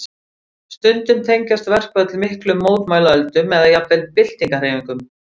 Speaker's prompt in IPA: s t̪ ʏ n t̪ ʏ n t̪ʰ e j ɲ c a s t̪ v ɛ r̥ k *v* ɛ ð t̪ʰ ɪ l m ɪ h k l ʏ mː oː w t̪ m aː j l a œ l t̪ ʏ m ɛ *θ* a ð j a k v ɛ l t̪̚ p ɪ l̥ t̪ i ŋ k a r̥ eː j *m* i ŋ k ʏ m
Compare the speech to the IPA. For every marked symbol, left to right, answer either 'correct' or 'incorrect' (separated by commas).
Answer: correct, incorrect, correct